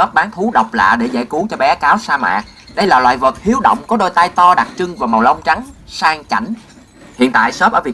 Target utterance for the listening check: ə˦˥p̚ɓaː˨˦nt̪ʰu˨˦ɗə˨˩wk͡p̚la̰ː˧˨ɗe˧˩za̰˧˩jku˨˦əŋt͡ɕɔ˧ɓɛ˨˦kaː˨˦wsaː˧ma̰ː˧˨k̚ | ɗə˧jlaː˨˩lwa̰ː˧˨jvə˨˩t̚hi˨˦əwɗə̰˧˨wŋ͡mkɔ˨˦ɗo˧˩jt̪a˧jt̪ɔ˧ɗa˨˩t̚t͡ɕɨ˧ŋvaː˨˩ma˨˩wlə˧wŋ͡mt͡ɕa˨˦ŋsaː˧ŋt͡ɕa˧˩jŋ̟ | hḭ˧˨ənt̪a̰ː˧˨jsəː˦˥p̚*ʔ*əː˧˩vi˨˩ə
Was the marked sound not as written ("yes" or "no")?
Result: no